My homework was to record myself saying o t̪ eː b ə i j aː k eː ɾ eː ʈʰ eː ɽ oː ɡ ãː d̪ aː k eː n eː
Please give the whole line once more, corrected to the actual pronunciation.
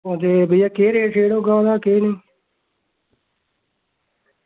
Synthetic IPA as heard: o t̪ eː b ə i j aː k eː ɾ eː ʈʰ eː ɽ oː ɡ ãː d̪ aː k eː n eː